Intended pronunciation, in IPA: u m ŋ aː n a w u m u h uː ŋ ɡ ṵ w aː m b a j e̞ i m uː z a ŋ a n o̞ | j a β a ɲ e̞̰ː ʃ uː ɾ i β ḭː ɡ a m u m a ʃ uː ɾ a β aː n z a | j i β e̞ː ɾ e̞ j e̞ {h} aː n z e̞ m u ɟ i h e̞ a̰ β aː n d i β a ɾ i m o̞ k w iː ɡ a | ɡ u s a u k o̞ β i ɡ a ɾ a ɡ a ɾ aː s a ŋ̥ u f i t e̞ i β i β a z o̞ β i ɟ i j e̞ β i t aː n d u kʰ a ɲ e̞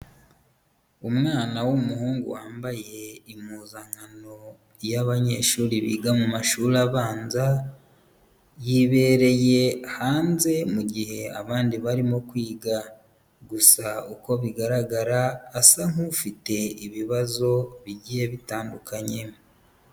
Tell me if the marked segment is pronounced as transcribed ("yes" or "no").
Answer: yes